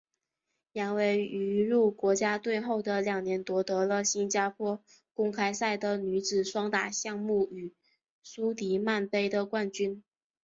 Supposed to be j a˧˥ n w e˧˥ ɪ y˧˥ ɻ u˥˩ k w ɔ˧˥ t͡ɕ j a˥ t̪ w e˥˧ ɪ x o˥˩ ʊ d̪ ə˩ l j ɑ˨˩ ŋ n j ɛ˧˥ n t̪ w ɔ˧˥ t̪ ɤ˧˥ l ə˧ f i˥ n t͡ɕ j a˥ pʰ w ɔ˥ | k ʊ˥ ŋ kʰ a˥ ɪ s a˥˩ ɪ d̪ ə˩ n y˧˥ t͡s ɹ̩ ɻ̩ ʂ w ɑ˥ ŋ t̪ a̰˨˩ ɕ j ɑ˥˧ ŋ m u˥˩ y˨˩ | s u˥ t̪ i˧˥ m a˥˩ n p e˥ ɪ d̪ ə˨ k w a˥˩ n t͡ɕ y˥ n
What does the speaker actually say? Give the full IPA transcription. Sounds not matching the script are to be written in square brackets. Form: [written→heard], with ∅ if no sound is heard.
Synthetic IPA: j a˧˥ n w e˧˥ ɪ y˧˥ ɻ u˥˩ k w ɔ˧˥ t͡ɕ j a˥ t̪ w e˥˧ ɪ x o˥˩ ʊ d̪ ə˩ l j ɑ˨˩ ŋ n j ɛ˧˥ n t̪ w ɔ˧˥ t̪ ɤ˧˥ l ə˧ [f→ɕ] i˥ n t͡ɕ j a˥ pʰ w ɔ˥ | k ʊ˥ ŋ kʰ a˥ ɪ s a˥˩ ɪ d̪ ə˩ n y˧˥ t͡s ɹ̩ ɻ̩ ʂ w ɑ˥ ŋ t̪ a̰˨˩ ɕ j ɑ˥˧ ŋ m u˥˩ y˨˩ | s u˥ t̪ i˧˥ m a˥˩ n p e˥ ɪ d̪ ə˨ k w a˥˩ n t͡ɕ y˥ n